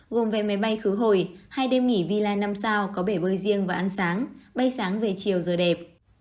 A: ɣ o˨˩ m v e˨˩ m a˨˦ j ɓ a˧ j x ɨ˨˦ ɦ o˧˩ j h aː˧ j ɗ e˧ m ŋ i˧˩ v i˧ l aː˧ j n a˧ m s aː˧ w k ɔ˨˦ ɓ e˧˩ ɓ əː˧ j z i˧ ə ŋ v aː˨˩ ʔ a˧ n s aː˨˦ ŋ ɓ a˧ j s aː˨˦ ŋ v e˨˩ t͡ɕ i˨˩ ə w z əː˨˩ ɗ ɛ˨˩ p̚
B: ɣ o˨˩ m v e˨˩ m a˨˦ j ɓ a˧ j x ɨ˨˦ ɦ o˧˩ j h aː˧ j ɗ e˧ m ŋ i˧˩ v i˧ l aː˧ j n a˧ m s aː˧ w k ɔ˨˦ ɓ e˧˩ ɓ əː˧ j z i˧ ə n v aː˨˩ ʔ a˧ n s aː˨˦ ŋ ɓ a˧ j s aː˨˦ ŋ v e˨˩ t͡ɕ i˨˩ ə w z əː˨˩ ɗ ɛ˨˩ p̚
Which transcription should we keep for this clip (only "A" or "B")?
A